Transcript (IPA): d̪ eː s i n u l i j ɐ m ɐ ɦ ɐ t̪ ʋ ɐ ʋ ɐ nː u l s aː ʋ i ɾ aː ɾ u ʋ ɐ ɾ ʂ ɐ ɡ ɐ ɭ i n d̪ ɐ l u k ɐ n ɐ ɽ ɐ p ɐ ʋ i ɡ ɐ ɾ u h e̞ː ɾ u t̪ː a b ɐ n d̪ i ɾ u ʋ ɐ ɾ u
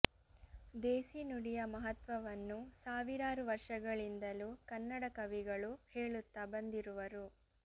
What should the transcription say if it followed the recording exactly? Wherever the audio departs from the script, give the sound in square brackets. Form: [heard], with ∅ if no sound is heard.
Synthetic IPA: d̪ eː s i n u [ɽ] i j ɐ m ɐ ɦ ɐ t̪ ʋ ɐ ʋ ɐ nː u [∅] s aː ʋ i ɾ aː ɾ u ʋ ɐ ɾ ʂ ɐ ɡ ɐ ɭ i n d̪ ɐ l u k ɐ [nː] ɐ ɽ ɐ [k] ɐ ʋ i ɡ ɐ [ɭ] u h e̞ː [ɭ] u t̪ː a b ɐ n d̪ i ɾ u ʋ ɐ ɾ u